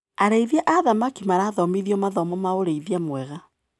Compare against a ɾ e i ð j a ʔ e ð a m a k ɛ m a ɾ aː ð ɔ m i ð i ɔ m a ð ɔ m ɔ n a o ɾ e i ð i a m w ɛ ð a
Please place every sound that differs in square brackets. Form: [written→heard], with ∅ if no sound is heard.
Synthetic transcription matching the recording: a ɾ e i ð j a ʔ [e→a] ð a m a k [ɛ→i] m a ɾ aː ð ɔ m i ð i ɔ m a ð ɔ m ɔ [n→m] a o ɾ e i ð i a m w ɛ [ð→ɣ] a